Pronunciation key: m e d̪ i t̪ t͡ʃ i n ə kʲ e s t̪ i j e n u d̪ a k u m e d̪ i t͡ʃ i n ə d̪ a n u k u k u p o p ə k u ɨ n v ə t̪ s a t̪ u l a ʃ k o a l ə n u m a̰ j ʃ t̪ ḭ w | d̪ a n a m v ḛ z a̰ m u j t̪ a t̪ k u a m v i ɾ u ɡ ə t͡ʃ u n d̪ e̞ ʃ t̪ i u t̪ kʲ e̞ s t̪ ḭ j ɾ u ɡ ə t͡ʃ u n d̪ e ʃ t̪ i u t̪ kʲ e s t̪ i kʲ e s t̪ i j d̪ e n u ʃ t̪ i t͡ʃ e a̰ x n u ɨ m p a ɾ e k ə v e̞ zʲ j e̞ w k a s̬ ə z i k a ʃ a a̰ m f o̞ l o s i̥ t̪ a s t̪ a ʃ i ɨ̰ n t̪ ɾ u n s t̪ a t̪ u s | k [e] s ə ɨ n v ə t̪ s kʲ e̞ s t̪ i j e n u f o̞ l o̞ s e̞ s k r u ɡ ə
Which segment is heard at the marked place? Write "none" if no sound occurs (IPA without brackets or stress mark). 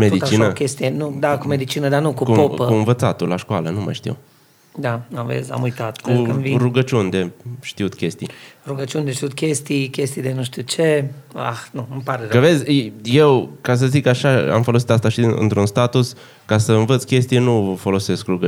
a